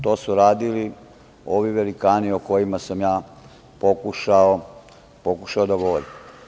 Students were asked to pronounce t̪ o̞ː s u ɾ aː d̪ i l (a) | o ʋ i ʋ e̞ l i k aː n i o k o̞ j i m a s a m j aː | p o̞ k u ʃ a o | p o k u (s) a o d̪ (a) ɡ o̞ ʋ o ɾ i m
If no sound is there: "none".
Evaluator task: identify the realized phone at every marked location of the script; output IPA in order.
i, ʃ, a

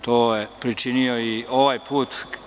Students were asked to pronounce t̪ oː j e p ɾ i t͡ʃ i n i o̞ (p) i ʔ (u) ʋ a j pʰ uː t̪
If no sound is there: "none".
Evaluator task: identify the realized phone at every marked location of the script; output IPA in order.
none, o

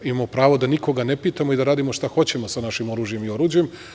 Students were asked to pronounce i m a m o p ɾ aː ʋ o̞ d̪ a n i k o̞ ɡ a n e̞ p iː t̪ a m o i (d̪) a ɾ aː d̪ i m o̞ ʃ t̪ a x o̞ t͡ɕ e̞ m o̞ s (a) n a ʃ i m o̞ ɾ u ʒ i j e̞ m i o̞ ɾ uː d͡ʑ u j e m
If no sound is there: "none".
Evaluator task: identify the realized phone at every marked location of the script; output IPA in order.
d̪, a

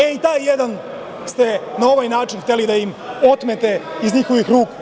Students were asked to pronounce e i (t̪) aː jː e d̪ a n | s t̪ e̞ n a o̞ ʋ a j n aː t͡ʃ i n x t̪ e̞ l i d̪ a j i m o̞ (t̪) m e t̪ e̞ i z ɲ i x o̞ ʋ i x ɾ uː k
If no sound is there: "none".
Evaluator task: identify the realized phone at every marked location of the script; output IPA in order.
t̪, t̪

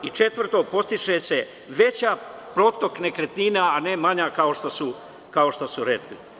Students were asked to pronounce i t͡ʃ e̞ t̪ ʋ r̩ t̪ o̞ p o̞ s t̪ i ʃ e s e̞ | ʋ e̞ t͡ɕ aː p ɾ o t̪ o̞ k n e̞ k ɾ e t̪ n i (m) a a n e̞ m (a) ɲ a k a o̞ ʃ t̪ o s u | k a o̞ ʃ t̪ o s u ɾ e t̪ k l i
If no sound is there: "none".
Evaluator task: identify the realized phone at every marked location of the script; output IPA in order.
n, a

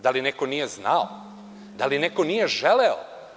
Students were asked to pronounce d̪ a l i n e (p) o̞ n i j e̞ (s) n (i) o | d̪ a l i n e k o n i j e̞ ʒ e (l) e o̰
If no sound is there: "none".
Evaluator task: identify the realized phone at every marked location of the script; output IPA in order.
k, z, a, l

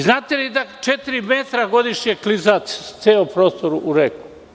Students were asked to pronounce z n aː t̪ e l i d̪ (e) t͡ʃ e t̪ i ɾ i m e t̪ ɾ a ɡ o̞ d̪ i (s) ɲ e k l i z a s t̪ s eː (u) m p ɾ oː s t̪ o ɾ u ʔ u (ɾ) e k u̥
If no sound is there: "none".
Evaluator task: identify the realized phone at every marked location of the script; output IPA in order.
a, ʃ, o, ɾ

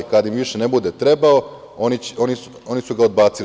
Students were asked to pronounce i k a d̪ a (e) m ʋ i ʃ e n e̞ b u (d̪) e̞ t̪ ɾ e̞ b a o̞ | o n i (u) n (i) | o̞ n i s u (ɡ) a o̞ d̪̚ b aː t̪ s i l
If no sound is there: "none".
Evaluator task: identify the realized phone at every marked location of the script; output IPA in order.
i, d̪, o, i, ɡ

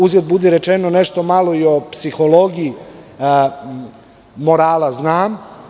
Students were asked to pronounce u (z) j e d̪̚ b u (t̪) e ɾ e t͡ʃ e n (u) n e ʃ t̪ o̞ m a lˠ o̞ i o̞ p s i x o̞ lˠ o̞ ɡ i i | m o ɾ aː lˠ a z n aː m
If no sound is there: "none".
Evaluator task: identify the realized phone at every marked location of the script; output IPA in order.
z, d̪, o

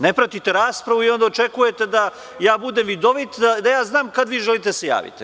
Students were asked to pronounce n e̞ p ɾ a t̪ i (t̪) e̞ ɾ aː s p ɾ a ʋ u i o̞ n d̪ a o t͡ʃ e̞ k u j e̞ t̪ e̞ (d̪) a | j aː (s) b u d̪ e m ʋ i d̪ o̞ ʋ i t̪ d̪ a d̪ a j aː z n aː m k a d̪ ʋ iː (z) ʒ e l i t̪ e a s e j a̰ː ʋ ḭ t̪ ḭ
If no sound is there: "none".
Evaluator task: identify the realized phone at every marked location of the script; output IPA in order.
t̪, d̪, none, none

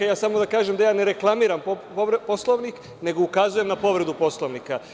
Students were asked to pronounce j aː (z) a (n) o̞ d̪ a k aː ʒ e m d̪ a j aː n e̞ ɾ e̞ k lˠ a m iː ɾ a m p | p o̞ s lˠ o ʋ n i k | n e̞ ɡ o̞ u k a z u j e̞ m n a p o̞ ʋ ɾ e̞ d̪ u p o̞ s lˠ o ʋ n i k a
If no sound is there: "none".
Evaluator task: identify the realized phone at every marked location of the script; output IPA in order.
s, m

